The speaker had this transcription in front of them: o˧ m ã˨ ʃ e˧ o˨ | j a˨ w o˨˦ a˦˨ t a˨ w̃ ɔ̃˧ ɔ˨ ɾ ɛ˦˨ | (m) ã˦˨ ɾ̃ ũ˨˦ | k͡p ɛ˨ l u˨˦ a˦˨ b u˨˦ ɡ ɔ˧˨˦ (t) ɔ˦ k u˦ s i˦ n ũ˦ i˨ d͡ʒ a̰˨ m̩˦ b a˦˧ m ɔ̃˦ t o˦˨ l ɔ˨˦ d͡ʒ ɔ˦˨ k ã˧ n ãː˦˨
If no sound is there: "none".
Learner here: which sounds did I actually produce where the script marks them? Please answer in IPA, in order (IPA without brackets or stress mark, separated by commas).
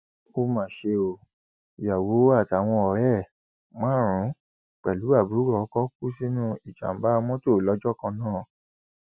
m, k